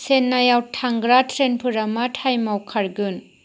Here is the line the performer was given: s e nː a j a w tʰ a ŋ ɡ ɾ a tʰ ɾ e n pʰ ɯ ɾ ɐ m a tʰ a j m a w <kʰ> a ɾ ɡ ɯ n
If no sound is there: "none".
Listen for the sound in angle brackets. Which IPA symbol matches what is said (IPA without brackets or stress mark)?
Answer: kʰ